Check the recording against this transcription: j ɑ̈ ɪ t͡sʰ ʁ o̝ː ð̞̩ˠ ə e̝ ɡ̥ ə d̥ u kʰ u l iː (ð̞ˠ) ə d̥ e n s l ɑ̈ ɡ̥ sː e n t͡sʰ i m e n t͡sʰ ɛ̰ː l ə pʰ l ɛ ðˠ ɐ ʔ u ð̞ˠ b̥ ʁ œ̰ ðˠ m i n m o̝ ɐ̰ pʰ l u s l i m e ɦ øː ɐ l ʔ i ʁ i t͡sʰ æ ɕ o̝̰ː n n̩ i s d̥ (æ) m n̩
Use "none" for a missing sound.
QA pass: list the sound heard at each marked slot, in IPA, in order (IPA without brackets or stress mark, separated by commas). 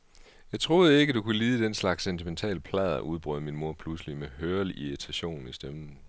ð̞ˠ, e